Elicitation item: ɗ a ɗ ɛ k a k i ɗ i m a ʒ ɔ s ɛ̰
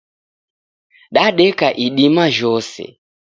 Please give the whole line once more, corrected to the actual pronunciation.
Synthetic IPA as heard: ɗ a ɗ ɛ k a ʔ i ɗ i m a ʒ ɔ s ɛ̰